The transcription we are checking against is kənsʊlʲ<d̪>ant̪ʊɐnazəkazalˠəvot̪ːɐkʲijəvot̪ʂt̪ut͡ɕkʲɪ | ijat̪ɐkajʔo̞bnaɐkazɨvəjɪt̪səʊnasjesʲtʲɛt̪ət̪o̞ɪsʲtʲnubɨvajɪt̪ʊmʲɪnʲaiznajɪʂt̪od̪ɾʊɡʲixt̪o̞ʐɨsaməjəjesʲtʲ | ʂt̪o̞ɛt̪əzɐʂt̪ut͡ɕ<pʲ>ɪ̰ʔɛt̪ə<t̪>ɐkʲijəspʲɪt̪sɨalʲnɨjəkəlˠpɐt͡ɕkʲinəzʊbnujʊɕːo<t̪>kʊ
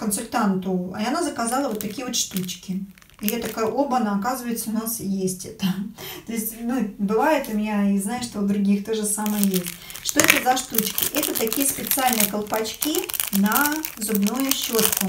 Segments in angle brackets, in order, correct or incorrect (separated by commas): incorrect, incorrect, correct, correct